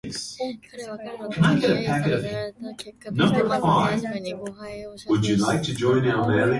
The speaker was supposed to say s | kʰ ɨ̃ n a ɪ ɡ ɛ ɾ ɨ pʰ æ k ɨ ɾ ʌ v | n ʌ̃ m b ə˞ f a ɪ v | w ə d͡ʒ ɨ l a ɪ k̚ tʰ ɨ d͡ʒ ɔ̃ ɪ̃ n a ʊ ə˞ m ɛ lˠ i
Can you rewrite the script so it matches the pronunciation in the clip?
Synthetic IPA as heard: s | kʰ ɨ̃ n a ɪ ɡ ɛ ɾ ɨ pʰ æ k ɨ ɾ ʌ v | n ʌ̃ m b ə˞ f a ɪ v | w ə d͡ʒ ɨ l a ɪ k̚ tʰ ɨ d͡ʒ ɔ̃ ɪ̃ n a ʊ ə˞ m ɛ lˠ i